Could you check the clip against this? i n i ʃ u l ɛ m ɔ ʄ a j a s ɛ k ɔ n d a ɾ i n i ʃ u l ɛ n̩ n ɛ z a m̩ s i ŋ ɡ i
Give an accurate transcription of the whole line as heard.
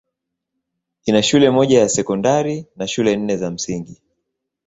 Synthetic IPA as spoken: i n a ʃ u l ɛ m ɔ ʄ a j a s ɛ k ɔ n d a ɾ i n a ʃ u l ɛ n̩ n ɛ z a m̩ s i ŋ ɡ i

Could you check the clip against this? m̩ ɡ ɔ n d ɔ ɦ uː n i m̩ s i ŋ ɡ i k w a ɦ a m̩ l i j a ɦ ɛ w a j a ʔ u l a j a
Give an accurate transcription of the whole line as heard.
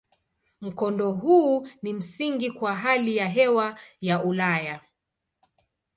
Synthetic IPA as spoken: m̩ k ɔ n d ɔ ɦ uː n i m̩ s i ŋ ɡ i k w a ɦ a l i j a ɦ ɛ w a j a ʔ u l a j a

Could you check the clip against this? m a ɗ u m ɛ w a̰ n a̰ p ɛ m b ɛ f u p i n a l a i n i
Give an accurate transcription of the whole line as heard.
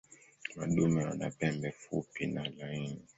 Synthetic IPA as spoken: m a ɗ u m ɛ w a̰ n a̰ p ɛ m b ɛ f u p i n a l a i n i

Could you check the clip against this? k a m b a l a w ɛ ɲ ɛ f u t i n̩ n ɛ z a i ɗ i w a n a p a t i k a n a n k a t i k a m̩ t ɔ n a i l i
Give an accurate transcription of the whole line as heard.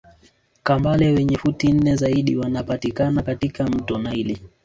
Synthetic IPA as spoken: k a m b a l ɛ w ɛ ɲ ɛ f u t i n̩ n ɛ z a i ɗ i w a n a p a t i k a n a k a t i k a m̩ t ɔ n a i l i

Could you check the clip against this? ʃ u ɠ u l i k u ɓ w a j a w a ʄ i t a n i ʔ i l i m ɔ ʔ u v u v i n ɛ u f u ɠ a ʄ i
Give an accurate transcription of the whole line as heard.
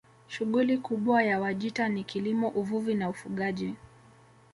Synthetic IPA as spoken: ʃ u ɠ u l i k u ɓ w a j a w a ʄ i t a n i k i l i m ɔ ʔ u v u v i n a u f u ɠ a ʄ i

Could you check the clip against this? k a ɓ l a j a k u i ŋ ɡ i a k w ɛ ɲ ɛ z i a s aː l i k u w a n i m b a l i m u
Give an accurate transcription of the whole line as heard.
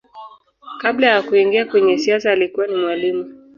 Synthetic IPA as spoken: k a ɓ l a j a k u i ŋ ɡ i a k w ɛ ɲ ɛ s i a s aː l i k u w a n i m w a l i m u

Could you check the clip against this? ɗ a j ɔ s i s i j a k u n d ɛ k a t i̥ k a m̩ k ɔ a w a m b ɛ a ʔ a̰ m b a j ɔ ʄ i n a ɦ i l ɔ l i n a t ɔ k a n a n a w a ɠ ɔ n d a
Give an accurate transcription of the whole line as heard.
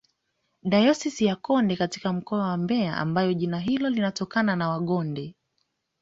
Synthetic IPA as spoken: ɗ a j ɔ s i s i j a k ɔ n d ɛ k a t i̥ k a m̩ k ɔ a w a m b ɛ a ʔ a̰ m b a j ɔ ʄ i n a ɦ i l ɔ l i n a t ɔ k a n a n a w a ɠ ɔ n d ɛ

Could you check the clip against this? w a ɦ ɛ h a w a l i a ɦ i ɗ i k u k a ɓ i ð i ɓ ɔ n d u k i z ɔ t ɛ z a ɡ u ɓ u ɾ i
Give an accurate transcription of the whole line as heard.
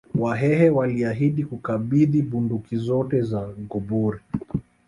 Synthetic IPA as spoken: w a ɦ ɛ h ɛ w a l i a ɦ i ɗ i k u k a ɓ i ð i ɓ u n d u k i z ɔ t ɛ z a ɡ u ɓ u ɾ i

